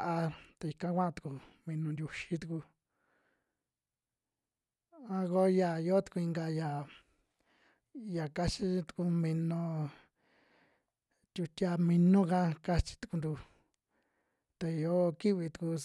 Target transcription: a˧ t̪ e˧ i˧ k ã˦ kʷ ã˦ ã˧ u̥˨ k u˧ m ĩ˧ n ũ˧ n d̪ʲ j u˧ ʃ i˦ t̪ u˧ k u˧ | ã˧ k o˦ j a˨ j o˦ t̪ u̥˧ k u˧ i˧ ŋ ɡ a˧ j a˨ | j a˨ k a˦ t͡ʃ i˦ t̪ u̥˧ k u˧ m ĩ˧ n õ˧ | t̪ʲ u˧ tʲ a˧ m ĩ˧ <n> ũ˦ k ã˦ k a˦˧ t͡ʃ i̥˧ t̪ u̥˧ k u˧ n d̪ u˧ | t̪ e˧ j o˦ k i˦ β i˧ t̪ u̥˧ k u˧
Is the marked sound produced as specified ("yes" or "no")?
yes